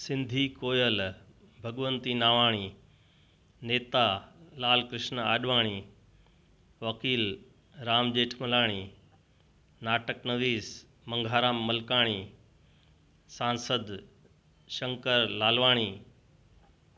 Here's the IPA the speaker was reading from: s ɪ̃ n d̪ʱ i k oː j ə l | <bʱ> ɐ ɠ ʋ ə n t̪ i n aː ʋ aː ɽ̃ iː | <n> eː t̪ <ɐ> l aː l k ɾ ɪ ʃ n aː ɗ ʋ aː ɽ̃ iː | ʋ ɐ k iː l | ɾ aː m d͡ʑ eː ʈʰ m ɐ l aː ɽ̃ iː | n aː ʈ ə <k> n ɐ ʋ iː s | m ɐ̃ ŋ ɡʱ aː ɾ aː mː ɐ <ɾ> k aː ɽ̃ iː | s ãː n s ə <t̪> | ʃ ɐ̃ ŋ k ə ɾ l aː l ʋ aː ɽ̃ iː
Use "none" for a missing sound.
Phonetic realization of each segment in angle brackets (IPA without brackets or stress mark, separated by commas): bʱ, n, a, k, l, d̪